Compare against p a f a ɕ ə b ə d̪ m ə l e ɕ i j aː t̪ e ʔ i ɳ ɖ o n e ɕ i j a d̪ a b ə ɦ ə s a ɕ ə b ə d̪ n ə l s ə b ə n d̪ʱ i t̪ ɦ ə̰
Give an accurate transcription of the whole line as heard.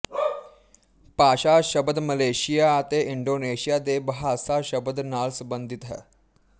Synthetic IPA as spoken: p a ɕ a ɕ ə b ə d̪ m ə l e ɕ i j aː t̪ e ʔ i ɳ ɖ o n e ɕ i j a d̪ e b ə ɦ a s a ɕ ə b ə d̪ n a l s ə b ə n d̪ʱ i t̪ ɦ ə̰